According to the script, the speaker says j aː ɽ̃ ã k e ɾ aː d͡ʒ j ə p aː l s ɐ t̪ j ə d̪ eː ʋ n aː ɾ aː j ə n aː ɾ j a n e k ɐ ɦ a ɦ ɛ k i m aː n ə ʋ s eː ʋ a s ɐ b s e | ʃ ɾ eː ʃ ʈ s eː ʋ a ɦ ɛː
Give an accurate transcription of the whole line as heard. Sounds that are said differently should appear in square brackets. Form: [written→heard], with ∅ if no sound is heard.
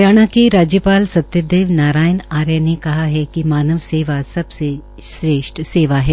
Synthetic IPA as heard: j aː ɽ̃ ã k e ɾ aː d͡ʒ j ə p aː l s ɐ t̪ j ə d̪ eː ʋ n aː ɾ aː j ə n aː ɾ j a n e k ɐ ɦ a ɦ ɛ k i m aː n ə ʋ s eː ʋ a s ɐ b s e | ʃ ɾ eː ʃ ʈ s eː ʋ a ɦ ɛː

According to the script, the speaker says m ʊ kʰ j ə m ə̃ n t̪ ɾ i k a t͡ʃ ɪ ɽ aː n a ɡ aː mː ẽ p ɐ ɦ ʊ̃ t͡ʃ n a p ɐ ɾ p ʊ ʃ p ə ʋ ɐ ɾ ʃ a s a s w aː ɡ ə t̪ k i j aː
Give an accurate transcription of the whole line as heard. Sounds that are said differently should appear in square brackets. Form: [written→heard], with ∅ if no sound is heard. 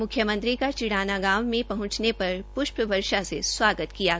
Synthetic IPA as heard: m ʊ kʰ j ə m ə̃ n t̪ ɾ i k a t͡ʃ ɪ ɽ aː n a ɡ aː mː ẽ p ɐ ɦ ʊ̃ t͡ʃ n [a→e] p ɐ ɾ p ʊ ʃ p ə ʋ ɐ ɾ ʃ a s [a→e] s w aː ɡ ə t̪ k i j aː

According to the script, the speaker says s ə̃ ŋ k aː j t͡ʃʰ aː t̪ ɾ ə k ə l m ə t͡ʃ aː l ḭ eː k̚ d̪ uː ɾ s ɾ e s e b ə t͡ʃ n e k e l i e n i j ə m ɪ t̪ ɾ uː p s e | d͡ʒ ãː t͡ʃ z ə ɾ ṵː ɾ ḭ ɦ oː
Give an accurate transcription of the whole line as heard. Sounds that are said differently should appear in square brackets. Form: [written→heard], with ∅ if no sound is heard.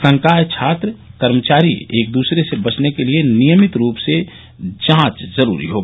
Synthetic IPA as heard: s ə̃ ŋ k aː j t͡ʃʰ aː t̪ ɾ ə k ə [l→ɾ] m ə t͡ʃ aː [l→ɾ] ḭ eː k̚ d̪ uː [ɾ→∅] s ɾ e s e b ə t͡ʃ n e k e l i e n i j ə m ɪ t̪ ɾ uː p s e | d͡ʒ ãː t͡ʃ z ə ɾ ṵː ɾ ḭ ɦ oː

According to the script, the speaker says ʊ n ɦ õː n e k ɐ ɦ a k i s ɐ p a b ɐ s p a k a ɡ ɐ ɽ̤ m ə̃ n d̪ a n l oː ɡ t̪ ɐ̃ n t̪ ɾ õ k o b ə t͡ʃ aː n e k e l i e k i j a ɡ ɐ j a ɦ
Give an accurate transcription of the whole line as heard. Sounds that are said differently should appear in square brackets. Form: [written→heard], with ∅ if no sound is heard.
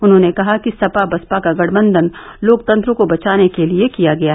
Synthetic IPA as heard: ʊ n ɦ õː n e k ɐ ɦ a k i s ɐ p a b ɐ s p a k a ɡ ɐ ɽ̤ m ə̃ n d̪ [a→ə] n l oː [ɡ→k] t̪ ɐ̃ n t̪ ɾ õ k o b [ə→ɐ] t͡ʃ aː n e k e l i e k i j a ɡ ɐ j a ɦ

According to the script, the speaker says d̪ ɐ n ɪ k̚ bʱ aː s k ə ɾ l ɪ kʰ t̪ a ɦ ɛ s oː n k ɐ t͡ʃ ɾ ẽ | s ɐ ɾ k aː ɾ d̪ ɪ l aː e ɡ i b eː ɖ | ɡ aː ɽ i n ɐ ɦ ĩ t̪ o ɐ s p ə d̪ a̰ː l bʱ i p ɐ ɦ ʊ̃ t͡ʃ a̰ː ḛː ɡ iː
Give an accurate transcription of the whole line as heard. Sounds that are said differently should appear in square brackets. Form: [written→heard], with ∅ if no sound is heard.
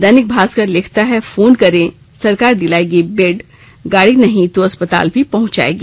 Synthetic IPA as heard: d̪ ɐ n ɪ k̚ bʱ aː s k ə ɾ l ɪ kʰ t̪ a ɦ ɛ [s→f] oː n k ɐ [t͡ʃ→∅] ɾ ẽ | s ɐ ɾ k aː ɾ d̪ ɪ l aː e ɡ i b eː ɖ | ɡ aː ɽ i n ɐ ɦ ĩ t̪ o ɐ s p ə [d̪→t̪] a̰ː l bʱ i p ɐ ɦ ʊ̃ t͡ʃ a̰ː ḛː ɡ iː

